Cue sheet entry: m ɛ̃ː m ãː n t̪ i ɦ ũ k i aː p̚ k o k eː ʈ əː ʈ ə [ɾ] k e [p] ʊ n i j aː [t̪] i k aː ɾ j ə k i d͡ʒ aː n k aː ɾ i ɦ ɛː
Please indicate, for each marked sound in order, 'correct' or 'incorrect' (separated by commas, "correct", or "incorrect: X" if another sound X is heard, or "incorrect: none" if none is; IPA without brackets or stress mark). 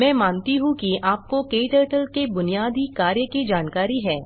incorrect: l, incorrect: b, incorrect: d̪